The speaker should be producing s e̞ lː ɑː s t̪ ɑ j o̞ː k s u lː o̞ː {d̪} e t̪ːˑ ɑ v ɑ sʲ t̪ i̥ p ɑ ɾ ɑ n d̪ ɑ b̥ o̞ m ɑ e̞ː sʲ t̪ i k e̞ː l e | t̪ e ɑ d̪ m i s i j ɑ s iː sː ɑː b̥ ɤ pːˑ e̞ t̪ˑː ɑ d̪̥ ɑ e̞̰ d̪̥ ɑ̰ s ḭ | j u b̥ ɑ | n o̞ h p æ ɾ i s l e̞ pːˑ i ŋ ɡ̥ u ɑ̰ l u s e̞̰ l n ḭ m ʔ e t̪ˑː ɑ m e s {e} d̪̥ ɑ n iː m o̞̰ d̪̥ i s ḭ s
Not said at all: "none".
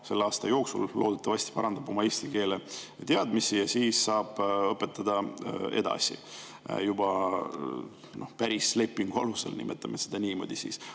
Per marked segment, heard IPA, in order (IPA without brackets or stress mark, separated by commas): d̪, e